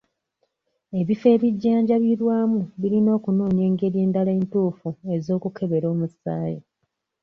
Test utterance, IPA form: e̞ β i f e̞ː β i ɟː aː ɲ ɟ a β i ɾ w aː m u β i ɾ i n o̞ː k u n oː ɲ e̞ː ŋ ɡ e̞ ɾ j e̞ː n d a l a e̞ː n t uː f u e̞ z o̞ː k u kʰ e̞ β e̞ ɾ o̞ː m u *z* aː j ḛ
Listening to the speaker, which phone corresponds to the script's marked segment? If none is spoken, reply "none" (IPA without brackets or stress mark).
s